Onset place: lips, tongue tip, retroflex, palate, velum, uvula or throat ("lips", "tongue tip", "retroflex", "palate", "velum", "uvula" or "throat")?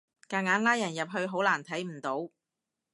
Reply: velum